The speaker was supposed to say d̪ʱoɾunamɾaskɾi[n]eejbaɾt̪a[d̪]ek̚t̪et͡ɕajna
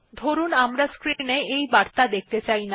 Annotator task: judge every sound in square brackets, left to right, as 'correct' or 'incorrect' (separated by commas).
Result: correct, correct